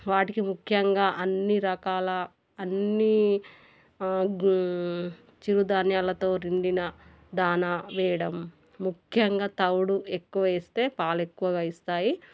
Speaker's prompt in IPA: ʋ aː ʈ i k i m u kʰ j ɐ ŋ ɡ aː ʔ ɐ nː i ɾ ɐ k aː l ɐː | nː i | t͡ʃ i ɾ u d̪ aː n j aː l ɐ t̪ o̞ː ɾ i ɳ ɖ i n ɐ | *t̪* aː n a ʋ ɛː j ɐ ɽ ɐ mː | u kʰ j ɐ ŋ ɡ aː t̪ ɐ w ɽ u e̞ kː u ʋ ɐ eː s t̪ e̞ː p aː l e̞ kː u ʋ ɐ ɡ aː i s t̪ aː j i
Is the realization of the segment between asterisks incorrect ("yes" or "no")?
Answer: yes